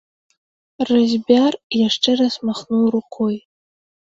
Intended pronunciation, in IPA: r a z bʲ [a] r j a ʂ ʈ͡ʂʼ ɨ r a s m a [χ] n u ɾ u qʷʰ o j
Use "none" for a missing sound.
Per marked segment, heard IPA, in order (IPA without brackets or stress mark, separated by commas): a, χ